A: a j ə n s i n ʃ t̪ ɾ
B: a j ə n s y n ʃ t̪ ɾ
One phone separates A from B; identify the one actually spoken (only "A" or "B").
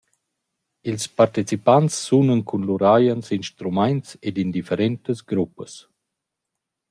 A